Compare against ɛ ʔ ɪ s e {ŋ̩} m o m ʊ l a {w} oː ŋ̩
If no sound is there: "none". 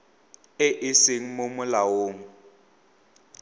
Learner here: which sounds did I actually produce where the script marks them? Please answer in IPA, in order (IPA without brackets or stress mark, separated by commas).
ŋ̩, w